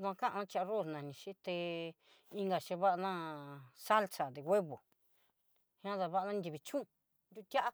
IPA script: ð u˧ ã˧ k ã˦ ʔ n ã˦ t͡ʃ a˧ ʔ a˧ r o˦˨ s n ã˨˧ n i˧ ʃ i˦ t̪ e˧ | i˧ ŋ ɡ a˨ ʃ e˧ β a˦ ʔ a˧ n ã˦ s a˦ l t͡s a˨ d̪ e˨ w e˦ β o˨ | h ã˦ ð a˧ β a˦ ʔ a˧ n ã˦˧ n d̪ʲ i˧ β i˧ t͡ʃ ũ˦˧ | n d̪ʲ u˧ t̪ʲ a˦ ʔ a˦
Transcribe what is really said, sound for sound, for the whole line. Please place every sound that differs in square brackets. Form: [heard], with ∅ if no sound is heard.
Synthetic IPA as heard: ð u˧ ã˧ k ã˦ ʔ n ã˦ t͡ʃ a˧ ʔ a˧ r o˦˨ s n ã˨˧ n [ĩ˧] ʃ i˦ t̪ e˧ | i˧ ŋ ɡ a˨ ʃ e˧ β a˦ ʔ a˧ n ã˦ s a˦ l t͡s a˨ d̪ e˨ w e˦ β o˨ | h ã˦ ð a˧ β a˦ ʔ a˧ n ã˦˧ n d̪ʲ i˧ β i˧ t͡ʃ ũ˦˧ | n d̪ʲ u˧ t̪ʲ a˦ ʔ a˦